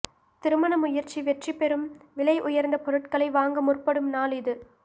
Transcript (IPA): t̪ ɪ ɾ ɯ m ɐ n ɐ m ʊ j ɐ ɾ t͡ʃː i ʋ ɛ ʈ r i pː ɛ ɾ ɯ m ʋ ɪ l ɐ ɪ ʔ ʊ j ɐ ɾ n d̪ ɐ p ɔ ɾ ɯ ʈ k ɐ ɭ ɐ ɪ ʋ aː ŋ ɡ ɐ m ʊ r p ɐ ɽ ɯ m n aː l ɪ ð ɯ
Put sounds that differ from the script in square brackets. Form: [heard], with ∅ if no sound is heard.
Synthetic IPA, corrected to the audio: t̪ ɪ ɾ ɯ m ɐ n ɐ m ʊ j ɐ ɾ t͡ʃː i ʋ ɛ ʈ r i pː ɛ ɾ ɯ m ʋ ɪ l ɐ ɪ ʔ ʊ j ɐ ɾ n d̪ ɐ p ɔ ɾ ɯ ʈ k ɐ ɭ ɐ ɪ ʋ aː ŋ ɡ ɐ m ʊ r p ɐ ɽ ɯ m n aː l ɪ ð ɯ